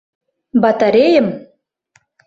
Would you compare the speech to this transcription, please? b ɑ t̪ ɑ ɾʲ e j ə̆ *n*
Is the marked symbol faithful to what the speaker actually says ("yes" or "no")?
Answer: no